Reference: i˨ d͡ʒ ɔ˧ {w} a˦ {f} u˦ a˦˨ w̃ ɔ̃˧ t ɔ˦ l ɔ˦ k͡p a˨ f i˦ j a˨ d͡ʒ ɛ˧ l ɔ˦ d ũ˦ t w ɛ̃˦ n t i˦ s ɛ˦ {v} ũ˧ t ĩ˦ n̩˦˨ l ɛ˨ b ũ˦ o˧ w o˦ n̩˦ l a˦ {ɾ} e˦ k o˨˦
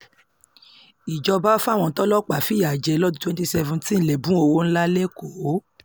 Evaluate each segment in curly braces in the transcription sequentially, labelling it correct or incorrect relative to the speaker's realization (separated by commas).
incorrect, correct, correct, incorrect